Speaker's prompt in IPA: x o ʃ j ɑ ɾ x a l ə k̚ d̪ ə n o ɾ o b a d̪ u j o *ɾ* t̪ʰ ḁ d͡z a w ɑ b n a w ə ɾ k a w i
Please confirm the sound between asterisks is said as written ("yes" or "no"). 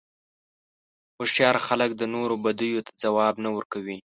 no